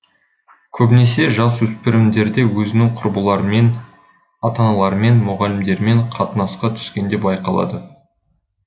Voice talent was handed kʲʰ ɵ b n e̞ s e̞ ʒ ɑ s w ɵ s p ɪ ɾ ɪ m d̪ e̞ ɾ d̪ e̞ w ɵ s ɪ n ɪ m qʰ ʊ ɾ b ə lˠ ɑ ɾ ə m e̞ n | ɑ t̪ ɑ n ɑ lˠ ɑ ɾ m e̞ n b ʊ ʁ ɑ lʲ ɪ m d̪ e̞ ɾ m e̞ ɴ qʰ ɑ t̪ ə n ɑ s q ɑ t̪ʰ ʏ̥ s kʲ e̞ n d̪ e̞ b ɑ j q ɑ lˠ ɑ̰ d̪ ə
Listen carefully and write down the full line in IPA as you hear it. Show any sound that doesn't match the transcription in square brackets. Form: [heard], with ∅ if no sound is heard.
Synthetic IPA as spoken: kʲʰ ɵ b n e̞ s e̞ ʒ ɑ s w ɵ s p ɪ ɾ ɪ m d̪ e̞ ɾ d̪ e̞ w ɵ [z] ɪ n ɪ [ŋ] qʰ ʊ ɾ b ə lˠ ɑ ɾ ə m e̞ n | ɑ t̪ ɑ n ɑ lˠ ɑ ɾ m e̞ n [m] ʊ ʁ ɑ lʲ ɪ m d̪ e̞ ɾ m e̞ ɴ qʰ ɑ t̪ ə n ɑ s q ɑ t̪ʰ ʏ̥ s kʲ e̞ n d̪ e̞ b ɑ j q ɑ lˠ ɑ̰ d̪ ə